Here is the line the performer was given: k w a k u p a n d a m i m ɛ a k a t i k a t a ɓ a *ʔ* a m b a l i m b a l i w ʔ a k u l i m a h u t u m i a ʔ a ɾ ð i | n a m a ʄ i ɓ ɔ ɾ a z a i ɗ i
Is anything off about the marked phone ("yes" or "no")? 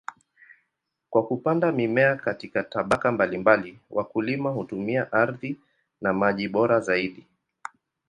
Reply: yes